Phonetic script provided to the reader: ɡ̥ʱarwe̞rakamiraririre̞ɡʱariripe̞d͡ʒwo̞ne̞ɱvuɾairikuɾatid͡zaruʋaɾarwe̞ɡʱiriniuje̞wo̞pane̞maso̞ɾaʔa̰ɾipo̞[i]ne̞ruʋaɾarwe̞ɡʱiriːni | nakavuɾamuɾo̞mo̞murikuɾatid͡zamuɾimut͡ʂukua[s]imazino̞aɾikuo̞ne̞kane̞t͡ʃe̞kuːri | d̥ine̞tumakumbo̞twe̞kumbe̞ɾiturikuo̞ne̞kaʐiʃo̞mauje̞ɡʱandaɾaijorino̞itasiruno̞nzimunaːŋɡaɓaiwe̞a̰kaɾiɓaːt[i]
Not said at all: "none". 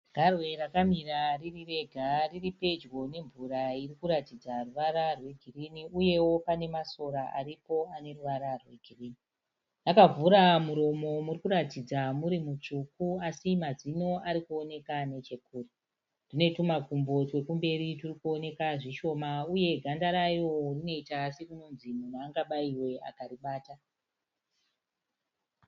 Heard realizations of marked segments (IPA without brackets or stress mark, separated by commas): a, s, a